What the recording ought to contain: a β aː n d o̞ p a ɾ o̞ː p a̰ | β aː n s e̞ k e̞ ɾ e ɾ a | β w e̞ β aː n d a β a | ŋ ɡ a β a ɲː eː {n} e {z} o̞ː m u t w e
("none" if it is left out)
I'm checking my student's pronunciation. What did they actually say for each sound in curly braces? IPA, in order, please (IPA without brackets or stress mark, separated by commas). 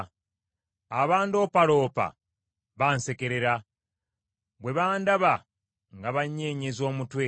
ɲ, z